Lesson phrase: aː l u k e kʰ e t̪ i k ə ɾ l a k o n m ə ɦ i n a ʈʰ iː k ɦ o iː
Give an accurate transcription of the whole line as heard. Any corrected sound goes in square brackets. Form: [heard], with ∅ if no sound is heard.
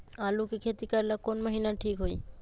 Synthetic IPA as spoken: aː l u k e kʰ e t̪ i k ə ɾ l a k o n m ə ɦ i n a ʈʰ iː k ɦ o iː